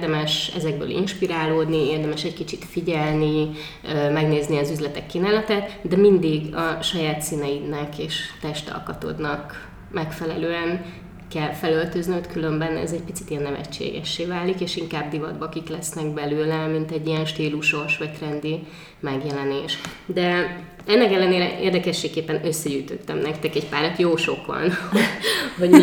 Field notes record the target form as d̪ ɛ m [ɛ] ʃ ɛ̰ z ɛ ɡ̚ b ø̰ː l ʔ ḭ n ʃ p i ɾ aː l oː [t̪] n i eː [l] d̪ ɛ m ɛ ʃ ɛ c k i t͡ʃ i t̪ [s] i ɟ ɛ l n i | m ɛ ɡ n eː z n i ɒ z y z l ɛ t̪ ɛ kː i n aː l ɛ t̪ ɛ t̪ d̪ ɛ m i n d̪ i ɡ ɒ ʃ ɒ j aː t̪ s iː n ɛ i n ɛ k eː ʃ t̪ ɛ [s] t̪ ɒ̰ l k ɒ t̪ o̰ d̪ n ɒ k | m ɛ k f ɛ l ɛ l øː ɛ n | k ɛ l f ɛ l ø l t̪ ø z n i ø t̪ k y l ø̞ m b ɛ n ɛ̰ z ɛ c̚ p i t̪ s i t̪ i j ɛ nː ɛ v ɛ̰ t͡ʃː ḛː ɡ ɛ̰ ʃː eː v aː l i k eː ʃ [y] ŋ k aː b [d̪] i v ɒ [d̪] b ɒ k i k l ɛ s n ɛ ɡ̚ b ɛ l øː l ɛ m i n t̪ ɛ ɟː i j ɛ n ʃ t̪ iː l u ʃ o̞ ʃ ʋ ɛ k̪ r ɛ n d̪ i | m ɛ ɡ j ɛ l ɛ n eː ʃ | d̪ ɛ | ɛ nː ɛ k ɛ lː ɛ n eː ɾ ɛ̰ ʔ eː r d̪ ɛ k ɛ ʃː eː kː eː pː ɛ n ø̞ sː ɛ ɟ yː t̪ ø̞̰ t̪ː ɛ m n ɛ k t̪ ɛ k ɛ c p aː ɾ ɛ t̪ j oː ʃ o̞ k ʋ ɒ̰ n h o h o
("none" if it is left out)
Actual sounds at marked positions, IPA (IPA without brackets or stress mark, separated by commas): ɛ, d̪, r, f, ʃ, i, d̪, d̪